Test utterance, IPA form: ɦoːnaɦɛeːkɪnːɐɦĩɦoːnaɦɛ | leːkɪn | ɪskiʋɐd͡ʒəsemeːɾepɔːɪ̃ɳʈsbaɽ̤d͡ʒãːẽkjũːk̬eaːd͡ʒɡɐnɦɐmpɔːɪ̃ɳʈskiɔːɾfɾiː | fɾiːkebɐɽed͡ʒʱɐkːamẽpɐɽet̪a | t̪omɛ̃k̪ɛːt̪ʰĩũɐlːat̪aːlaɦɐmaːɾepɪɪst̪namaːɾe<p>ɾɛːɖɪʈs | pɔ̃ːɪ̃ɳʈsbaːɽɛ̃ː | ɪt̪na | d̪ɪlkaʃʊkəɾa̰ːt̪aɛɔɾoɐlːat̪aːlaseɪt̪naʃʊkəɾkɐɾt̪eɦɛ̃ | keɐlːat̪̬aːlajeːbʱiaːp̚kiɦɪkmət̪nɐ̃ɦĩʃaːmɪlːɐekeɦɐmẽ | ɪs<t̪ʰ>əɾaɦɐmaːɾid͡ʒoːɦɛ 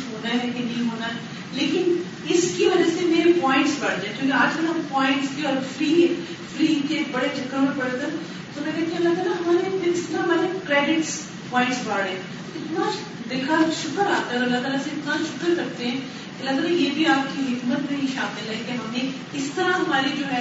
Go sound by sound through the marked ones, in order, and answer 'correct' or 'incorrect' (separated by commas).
incorrect, incorrect